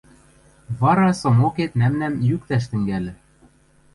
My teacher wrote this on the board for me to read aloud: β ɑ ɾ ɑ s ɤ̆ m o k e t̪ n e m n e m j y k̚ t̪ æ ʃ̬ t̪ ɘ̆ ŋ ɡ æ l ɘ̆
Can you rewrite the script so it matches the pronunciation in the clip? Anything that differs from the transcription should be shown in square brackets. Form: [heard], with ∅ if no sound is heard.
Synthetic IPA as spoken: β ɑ ɾ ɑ s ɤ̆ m o k e t̪ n [æ] m n [æ] m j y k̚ t̪ æ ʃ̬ t̪ ɘ̆ ŋ ɡ æ l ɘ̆